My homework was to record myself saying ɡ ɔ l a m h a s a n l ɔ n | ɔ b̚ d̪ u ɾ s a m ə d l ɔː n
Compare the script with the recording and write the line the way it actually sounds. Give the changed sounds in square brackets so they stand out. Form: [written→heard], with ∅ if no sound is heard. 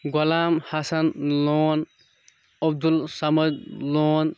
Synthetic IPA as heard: ɡ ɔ l a m h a s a n l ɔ n | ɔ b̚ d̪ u [ɾ→l] s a m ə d l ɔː n